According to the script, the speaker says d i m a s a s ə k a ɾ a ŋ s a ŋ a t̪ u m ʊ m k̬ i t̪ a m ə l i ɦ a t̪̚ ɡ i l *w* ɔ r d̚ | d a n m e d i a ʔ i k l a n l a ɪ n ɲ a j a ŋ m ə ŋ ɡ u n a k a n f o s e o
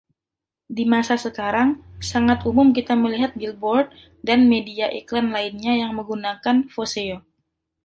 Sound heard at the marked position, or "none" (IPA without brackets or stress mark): b